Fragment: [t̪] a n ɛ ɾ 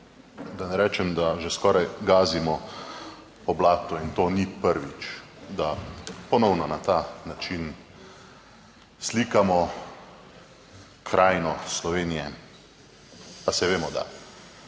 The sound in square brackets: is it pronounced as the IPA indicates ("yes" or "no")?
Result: no